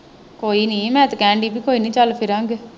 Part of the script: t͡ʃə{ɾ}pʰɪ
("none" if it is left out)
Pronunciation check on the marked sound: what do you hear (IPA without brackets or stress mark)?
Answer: l